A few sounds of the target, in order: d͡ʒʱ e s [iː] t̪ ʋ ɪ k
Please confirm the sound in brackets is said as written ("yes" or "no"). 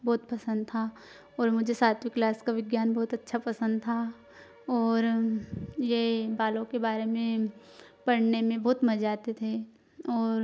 no